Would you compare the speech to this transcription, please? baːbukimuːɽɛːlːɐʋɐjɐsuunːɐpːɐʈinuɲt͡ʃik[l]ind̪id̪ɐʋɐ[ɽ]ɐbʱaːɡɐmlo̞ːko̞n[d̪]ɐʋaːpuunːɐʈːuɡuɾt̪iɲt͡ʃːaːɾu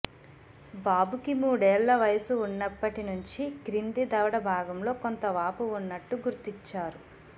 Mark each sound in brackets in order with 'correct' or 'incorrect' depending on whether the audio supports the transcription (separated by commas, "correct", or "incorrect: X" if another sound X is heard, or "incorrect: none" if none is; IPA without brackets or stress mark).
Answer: incorrect: ɾ, correct, incorrect: t̪